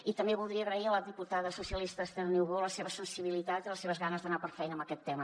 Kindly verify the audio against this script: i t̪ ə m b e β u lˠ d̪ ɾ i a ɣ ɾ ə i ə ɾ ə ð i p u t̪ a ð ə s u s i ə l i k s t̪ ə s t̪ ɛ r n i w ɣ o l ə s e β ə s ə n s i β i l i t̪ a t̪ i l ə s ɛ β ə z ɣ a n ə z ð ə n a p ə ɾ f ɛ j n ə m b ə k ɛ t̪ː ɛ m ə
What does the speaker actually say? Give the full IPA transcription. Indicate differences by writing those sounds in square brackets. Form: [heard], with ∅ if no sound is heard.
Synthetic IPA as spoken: i t̪ ə m b e β u lˠ d̪ ɾ i [ə] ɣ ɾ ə i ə [l] ə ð i p u t̪ a ð ə s u s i ə l i [∅] s t̪ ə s t̪ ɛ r n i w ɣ o l ə s e β ə s ə n s i β i l i t̪ a t̪ i l ə s [e] β ə z ɣ a n ə z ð ə n a p ə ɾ f ɛ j n ə m b ə k ɛ t̪ː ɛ m ə